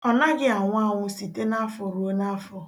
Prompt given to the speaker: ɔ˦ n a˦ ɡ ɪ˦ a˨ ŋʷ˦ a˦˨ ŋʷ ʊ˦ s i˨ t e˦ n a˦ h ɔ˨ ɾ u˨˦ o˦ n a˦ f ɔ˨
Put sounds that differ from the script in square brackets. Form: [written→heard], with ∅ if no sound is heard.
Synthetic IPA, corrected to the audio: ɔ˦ n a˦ ɡ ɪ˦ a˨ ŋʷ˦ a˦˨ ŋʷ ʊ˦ s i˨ t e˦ n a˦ [h→f] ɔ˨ ɾ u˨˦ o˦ n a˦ f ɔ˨